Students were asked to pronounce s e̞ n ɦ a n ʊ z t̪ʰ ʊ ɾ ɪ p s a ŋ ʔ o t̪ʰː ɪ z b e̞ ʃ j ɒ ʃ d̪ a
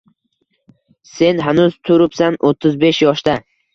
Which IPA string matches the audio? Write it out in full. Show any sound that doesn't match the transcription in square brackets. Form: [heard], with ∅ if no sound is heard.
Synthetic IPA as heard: s e̞ n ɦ a n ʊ z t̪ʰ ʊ ɾ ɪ p s a [n] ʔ o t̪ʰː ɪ z b e̞ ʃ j ɒ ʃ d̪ a